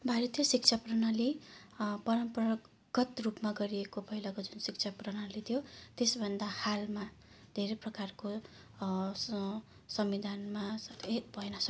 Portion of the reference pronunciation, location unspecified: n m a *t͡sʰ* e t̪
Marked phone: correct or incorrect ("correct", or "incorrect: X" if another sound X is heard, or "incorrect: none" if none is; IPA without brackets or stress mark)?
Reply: incorrect: none